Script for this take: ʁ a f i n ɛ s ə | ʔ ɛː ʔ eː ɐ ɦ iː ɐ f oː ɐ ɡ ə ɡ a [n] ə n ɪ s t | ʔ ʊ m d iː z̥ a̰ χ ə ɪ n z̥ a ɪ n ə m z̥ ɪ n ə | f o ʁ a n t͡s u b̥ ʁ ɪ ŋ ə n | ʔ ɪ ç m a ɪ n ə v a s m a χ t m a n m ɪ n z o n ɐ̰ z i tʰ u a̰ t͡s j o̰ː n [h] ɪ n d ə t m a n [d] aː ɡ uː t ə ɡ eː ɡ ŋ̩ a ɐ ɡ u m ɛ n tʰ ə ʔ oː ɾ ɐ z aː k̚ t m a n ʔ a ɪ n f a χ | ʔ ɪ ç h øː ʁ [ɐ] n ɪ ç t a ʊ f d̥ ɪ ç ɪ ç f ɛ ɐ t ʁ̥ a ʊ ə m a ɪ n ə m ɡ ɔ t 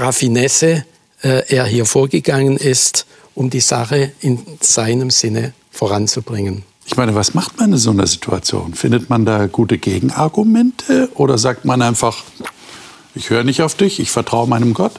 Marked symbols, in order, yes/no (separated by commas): no, no, yes, no